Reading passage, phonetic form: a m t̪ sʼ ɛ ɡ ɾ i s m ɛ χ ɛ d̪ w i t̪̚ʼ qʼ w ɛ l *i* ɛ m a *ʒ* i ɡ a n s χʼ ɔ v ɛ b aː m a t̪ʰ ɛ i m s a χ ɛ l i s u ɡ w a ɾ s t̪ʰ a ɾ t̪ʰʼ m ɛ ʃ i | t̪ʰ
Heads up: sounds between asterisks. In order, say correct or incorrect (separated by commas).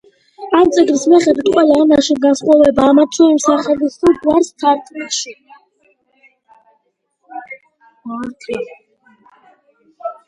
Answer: incorrect, incorrect